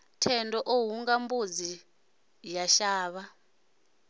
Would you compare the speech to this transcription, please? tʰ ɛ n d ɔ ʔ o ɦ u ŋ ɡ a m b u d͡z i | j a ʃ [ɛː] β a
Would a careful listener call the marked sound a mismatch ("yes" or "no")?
yes